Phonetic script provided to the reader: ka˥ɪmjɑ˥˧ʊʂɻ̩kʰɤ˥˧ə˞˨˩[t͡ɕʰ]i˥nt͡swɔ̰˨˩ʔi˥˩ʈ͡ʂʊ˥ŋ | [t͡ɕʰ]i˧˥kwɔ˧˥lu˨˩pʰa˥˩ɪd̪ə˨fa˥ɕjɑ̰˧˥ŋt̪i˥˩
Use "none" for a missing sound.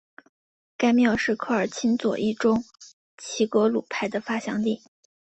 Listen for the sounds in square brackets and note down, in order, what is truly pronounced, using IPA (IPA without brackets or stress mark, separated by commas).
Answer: t͡ɕʰ, t͡ɕʰ